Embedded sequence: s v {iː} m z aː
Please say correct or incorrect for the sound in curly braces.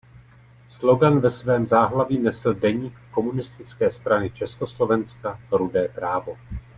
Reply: incorrect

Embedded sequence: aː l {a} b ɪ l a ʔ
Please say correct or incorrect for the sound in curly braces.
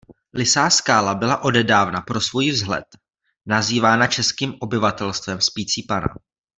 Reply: correct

